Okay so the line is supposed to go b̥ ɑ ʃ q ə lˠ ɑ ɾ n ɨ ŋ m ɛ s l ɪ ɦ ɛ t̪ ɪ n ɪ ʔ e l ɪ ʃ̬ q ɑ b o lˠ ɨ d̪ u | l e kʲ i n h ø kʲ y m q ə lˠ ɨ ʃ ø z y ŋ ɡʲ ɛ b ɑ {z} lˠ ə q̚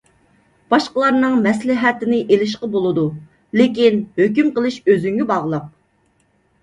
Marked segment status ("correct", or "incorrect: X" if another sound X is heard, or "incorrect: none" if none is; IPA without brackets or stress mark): incorrect: ʁ